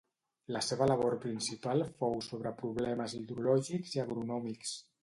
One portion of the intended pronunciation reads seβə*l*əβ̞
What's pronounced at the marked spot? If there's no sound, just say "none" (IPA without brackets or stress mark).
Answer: l